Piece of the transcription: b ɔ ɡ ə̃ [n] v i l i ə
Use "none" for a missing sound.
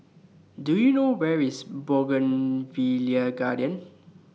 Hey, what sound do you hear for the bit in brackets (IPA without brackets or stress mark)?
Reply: n